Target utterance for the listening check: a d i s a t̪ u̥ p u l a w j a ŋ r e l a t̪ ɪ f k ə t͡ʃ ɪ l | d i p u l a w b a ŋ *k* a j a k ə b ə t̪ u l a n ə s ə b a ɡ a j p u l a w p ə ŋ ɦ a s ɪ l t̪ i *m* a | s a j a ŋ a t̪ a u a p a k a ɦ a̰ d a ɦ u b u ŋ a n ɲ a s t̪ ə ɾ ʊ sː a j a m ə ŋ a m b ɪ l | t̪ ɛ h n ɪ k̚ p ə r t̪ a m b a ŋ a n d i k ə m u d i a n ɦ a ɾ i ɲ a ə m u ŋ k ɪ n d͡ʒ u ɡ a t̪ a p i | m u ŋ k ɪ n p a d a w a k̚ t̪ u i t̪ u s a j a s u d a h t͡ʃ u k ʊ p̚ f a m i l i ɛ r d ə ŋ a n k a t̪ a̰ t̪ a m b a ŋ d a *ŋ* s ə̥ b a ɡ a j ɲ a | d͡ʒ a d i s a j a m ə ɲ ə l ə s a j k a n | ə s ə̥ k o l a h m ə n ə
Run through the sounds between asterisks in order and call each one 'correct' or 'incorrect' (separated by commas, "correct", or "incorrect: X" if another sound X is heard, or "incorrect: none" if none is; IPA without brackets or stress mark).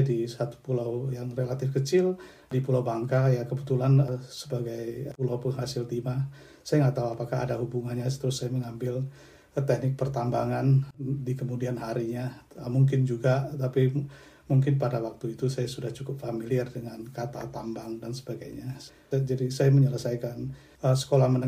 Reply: correct, correct, incorrect: n